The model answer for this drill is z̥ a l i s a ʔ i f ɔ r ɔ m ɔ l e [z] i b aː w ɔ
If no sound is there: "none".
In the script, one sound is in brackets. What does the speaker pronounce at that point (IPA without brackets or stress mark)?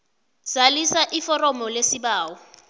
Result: s